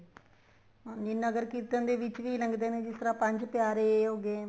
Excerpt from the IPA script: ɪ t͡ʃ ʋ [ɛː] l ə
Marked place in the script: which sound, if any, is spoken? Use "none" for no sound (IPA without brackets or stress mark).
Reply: iː